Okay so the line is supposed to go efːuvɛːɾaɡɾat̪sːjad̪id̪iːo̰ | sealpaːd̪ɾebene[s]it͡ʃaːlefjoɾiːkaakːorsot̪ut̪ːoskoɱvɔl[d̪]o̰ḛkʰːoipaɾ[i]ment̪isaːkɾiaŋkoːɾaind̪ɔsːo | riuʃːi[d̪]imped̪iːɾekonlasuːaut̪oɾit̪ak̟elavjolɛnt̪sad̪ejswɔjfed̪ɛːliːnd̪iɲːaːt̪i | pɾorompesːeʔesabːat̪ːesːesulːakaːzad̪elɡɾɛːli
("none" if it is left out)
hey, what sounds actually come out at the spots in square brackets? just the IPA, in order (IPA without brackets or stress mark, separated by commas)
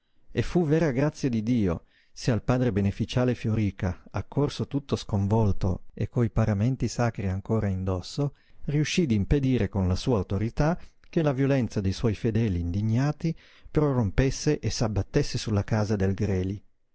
f, t̪, a, d̪